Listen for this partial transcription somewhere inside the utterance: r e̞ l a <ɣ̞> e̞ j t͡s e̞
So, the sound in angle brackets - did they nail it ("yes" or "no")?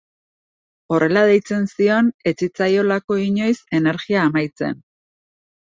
no